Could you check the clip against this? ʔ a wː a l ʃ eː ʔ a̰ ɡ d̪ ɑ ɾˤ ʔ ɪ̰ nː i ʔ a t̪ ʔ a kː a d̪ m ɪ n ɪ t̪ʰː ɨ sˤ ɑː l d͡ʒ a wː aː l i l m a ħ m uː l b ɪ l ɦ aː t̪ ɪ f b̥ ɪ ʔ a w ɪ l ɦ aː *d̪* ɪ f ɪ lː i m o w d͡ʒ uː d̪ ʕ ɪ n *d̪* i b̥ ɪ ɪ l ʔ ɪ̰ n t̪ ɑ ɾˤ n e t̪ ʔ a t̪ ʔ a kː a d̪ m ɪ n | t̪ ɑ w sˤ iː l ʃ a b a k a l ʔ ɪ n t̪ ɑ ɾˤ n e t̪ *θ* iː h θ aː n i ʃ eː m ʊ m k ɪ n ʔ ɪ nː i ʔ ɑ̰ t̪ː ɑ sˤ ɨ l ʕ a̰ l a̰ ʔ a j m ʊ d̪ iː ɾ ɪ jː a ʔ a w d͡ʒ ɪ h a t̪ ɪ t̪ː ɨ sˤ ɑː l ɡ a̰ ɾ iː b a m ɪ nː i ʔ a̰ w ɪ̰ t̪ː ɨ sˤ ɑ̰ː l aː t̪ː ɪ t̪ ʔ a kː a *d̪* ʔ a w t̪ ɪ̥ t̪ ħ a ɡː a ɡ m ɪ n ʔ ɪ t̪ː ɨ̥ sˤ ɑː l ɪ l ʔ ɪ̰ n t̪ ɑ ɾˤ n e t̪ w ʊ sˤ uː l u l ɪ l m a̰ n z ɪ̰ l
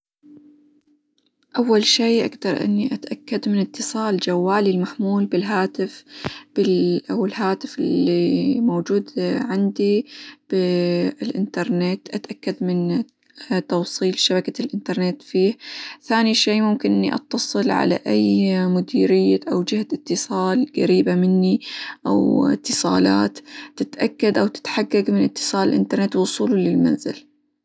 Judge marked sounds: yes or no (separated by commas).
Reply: no, yes, no, yes